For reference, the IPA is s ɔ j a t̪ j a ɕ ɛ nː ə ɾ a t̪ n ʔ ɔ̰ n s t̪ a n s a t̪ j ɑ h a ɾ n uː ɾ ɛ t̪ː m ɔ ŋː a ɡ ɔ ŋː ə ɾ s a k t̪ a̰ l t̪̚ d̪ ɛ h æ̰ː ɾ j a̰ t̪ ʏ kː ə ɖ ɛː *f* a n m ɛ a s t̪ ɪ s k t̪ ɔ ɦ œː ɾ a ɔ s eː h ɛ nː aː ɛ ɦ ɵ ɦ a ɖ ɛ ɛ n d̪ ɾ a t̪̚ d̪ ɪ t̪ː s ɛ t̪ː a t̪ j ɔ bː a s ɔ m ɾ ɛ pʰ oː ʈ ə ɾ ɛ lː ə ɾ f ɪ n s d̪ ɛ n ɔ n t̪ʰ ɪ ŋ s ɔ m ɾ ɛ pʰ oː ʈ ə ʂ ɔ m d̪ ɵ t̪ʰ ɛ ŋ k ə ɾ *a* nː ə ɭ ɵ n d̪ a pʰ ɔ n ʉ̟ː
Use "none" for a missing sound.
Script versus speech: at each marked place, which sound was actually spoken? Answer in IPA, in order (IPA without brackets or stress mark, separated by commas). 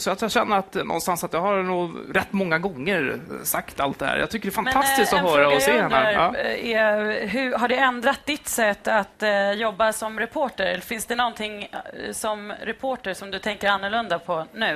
f, a